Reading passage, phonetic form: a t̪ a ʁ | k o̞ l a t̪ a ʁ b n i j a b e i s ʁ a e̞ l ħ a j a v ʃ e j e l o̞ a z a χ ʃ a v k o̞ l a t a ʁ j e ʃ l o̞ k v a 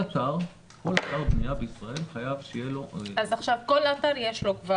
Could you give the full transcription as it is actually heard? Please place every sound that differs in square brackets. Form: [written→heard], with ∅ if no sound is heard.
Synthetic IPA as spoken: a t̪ a ʁ | k o̞ l a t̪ a ʁ b n i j a b e i s ʁ a e̞ l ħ a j a v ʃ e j e l o̞ a z a χ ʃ a v k o̞ l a t a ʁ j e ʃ l o̞ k v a